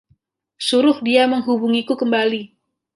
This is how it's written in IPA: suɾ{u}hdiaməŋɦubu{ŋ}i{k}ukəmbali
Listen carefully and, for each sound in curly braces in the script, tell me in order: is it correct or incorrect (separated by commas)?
incorrect, correct, correct